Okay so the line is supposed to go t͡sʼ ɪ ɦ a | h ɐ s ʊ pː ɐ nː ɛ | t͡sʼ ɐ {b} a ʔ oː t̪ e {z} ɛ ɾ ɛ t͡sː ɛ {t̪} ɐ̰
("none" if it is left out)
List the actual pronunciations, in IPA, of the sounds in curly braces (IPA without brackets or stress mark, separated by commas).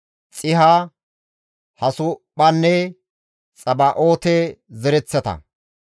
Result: b, z, t̪